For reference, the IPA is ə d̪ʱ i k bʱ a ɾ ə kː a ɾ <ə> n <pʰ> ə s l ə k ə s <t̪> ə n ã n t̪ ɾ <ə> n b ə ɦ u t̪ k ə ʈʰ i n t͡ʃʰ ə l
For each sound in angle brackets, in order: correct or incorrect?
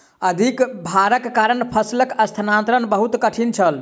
correct, correct, incorrect: t̪ʰ, correct

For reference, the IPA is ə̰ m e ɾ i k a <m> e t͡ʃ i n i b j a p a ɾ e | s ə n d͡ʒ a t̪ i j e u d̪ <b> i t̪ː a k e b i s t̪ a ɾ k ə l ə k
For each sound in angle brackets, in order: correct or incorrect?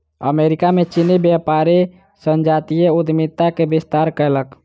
correct, incorrect: m

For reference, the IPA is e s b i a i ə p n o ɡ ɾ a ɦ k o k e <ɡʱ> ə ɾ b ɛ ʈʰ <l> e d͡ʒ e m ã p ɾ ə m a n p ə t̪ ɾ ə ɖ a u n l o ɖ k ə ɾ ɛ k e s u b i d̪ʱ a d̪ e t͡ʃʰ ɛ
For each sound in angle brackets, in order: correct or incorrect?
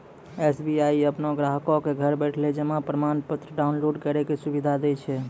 correct, correct

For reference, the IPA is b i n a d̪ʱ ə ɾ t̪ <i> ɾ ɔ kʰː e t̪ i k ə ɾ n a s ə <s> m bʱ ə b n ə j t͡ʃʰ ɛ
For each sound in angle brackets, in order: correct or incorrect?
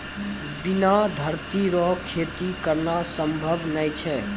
correct, incorrect: none

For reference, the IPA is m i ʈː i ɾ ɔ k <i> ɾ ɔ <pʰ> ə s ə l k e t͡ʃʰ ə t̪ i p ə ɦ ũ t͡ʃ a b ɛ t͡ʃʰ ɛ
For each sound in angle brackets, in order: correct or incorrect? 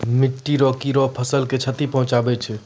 correct, correct

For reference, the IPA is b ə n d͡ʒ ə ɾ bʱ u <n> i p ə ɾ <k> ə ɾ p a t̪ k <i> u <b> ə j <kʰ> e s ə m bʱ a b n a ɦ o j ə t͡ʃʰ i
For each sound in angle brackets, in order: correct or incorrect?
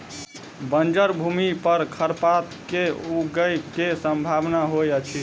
incorrect: m, incorrect: kʰ, incorrect: e, incorrect: ɡ, incorrect: k

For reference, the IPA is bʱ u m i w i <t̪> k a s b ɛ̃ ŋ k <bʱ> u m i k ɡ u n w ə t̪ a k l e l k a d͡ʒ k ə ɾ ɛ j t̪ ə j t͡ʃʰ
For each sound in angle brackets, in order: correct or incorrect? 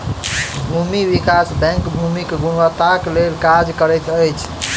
incorrect: none, correct

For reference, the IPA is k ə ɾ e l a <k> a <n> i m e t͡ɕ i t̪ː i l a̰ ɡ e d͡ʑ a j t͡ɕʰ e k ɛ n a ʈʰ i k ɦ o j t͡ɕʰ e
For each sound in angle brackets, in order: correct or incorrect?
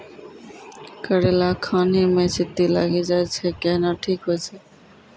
incorrect: kʰ, correct

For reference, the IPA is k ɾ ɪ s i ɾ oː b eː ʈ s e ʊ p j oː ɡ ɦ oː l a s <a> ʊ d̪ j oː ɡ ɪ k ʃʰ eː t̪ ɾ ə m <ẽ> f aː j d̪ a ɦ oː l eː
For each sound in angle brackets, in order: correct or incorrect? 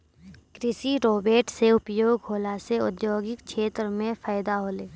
incorrect: e, correct

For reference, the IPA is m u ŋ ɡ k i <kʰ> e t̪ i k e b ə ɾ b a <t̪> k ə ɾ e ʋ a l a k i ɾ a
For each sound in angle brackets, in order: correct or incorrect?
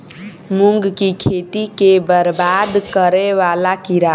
correct, incorrect: d̪

